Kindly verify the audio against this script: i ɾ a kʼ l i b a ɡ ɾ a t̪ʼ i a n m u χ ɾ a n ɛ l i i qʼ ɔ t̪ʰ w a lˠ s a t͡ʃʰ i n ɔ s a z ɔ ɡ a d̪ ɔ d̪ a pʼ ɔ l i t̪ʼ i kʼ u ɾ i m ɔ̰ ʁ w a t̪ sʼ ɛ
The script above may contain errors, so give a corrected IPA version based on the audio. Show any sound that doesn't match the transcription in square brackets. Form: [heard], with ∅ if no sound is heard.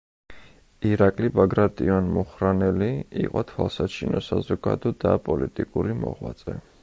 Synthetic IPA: i ɾ a kʼ l i b a ɡ ɾ a t̪ʼ i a n m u χ ɾ a n ɛ l i i qʼ ɔ t̪ʰ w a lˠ s a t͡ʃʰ i n ɔ s a z ɔ ɡ a d̪ ɔ d̪ a pʼ ɔ l i t̪ʼ i kʼ u ɾ i m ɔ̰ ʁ w a t̪ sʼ ɛ